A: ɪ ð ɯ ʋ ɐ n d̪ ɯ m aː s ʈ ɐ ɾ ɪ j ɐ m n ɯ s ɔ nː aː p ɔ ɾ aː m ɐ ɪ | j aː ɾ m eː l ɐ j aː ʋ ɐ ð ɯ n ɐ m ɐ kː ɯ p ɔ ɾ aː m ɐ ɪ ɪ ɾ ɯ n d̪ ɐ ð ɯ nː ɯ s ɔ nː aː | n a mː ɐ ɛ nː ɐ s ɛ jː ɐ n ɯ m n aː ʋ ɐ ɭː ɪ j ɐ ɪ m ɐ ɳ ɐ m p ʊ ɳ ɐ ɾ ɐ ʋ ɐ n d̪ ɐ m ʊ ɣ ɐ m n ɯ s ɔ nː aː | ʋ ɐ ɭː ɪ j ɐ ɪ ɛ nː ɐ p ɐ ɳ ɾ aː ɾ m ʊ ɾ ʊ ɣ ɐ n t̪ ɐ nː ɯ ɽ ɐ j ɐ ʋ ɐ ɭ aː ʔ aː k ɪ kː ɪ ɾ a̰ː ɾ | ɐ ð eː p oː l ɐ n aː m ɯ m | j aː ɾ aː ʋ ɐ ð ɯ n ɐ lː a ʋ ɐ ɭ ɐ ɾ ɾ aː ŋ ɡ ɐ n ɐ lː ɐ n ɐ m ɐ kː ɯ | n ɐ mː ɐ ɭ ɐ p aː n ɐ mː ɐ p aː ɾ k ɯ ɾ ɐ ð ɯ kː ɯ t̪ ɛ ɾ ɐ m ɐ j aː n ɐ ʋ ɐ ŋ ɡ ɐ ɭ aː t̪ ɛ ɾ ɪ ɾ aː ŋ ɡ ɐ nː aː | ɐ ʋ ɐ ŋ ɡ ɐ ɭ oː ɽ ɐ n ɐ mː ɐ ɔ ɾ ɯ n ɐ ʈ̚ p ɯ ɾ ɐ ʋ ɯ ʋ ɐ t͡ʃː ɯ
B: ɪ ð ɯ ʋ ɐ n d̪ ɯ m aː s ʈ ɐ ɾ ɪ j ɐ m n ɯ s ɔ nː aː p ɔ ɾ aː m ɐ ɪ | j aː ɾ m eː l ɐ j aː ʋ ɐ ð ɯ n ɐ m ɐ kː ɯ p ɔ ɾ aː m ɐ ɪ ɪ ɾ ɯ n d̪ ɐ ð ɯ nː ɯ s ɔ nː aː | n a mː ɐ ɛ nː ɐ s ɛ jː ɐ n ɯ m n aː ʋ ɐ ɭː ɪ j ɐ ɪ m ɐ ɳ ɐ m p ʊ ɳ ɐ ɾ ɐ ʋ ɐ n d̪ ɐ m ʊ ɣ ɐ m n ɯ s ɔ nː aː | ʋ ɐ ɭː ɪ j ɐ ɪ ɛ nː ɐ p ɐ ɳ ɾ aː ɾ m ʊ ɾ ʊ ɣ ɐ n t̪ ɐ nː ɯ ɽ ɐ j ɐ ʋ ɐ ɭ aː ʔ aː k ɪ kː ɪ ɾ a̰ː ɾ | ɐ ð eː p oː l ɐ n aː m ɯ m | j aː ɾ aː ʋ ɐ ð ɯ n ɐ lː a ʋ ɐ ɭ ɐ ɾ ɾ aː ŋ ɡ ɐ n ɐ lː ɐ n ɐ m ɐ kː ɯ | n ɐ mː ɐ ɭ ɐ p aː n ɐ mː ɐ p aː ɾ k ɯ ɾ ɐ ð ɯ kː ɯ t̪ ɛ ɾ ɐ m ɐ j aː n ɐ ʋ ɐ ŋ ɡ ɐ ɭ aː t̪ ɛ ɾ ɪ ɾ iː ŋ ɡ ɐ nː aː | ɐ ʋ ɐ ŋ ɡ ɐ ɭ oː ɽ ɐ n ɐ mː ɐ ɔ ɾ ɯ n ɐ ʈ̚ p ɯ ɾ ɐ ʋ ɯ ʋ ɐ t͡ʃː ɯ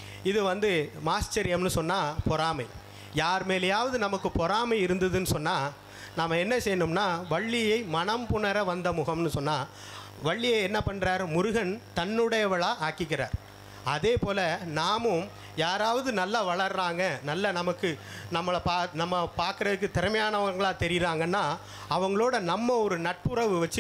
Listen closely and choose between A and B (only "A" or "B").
A